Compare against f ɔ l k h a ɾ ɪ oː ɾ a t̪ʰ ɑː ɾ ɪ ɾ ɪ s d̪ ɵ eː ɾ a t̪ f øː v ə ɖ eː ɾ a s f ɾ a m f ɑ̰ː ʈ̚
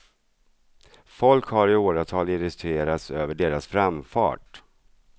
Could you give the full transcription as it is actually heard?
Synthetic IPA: f ɔ l k h a ɾ ɪ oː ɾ a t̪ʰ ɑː l ɪ ɾ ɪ s t̪ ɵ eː ɾ a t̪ s øː v ə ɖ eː ɾ a s f ɾ a m f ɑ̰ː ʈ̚